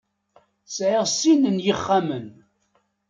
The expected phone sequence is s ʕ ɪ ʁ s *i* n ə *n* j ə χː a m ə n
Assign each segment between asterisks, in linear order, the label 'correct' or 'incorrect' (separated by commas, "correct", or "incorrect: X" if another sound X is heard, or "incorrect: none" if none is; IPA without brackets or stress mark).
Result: correct, correct